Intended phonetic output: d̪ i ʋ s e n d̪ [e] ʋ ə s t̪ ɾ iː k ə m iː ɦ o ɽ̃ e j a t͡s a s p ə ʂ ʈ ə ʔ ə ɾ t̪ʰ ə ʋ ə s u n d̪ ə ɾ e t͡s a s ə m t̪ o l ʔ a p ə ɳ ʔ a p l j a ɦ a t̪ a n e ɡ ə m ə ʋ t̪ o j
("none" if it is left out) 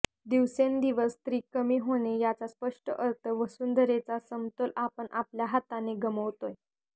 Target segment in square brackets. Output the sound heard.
i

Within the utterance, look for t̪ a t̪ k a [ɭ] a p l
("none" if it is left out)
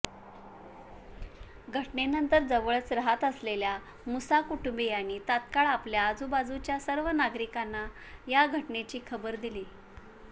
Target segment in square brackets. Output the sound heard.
ɭ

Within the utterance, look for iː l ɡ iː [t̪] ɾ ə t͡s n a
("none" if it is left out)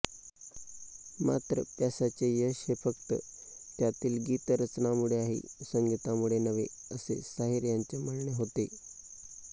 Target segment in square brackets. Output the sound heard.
t̪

